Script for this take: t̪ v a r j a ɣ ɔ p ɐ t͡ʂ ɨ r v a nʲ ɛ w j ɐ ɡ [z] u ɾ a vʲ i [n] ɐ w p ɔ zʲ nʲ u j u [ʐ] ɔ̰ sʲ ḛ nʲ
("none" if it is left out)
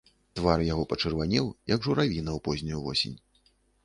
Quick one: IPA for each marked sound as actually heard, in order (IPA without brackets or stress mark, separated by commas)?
ʐ, n, v